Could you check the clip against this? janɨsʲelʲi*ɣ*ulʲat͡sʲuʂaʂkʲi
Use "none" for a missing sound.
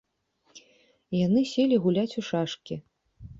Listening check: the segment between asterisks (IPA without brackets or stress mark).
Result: ɣ